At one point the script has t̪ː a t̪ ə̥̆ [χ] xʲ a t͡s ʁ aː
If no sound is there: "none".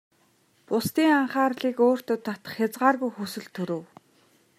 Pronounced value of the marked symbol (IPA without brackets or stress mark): χ